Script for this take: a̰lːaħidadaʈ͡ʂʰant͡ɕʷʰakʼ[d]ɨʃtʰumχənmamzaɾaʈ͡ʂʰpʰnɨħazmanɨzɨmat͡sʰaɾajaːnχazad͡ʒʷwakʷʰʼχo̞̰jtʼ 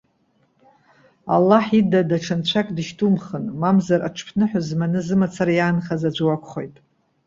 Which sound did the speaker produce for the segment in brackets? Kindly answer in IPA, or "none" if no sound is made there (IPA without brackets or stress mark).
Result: d